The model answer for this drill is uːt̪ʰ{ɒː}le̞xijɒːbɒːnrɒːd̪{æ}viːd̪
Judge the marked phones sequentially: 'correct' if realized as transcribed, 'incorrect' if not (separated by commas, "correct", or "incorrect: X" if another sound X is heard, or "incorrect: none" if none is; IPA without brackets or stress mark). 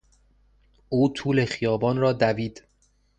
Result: incorrect: uː, correct